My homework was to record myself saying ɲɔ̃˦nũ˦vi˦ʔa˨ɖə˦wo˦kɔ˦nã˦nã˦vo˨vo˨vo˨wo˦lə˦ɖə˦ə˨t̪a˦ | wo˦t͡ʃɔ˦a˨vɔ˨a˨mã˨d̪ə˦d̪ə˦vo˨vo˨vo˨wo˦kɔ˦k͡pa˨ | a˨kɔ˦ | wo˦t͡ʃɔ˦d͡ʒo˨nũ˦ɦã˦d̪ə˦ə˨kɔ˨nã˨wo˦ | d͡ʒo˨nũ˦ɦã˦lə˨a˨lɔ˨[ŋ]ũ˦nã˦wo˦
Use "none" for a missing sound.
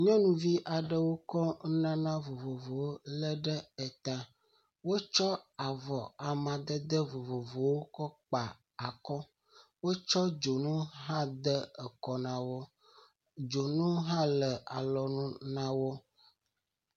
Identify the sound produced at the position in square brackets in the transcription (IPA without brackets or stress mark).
n